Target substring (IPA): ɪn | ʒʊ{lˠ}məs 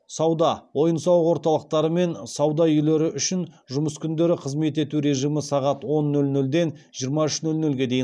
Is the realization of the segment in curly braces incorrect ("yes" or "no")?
yes